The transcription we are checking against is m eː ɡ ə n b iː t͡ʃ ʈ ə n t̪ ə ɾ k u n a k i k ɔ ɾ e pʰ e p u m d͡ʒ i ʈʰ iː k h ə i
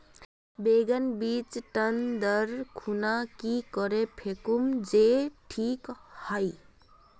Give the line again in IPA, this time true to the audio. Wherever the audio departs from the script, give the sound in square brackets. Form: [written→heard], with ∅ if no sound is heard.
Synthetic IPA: [m→b] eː ɡ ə n b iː t͡ʃ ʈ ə n [t̪→d̪] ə ɾ [k→kʰ] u n a k i k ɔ ɾ e pʰ e [p→k] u m d͡ʒ [i→e] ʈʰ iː k h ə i